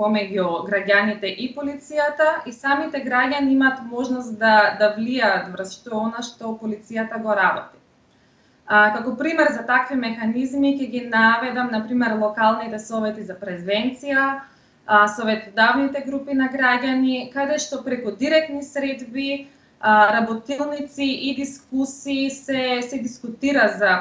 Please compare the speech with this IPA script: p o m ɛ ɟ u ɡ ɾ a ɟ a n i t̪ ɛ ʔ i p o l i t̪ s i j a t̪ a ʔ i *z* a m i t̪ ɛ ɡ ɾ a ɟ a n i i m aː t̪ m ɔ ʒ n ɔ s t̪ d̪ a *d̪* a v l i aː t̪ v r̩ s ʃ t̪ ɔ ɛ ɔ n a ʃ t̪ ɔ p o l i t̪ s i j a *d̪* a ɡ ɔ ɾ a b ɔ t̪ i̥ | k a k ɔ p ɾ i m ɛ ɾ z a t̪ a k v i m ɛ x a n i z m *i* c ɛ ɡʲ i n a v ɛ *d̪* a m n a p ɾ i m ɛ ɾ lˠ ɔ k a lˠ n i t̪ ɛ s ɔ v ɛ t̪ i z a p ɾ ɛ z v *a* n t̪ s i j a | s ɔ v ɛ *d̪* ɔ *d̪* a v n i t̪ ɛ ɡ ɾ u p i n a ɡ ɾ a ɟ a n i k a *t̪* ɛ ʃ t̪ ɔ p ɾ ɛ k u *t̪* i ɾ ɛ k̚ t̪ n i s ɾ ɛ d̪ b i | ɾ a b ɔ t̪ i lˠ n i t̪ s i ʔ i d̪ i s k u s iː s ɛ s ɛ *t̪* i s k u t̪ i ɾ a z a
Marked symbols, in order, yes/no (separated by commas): no, yes, no, yes, yes, no, no, yes, no, no, no